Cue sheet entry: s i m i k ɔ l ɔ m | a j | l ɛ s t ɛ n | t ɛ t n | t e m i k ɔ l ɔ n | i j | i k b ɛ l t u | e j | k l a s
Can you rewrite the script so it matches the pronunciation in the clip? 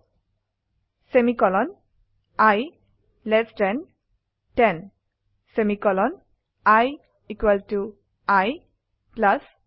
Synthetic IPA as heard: s e m i k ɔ l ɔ n | a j | l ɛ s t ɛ n | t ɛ n | s e m i k ɔ l ɔ n | a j | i k w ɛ l t u | a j | p l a s